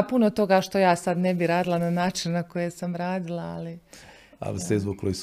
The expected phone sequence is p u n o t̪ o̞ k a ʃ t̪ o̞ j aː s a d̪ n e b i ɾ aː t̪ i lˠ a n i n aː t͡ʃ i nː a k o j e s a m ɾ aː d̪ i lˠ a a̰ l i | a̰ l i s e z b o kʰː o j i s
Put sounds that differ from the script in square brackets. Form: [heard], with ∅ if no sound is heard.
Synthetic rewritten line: p u n o t̪ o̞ [ɡ] a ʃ t̪ o̞ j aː s a d̪ n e b i ɾ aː [d̪] i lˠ a n [a] n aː t͡ʃ i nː a k o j e s a m ɾ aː d̪ i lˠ a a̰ l i | a̰ l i s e z b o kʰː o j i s